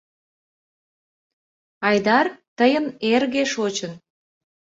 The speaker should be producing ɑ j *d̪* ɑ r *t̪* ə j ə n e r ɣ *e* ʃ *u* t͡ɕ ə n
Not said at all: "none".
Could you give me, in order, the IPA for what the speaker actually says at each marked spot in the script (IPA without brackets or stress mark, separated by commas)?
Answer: d̪, t̪, e, o